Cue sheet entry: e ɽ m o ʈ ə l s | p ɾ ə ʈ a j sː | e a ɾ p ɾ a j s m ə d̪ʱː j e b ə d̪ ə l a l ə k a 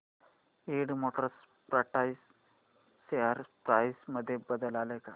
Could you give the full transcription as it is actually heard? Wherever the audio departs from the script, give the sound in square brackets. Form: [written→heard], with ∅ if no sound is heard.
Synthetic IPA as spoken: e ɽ m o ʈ ə [l→ɾ] s | p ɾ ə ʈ a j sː | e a ɾ p ɾ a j s m ə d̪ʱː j e b ə d̪ ə l a l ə k a